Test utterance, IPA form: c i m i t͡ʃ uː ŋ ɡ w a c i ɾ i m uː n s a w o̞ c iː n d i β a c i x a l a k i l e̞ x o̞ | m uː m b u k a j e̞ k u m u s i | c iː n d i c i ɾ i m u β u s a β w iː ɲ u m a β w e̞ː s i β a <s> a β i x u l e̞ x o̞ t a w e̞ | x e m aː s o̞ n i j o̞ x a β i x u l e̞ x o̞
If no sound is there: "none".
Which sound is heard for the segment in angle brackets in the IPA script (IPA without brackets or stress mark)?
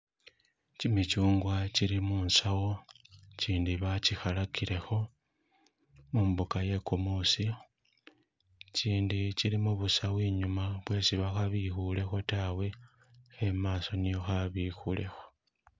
x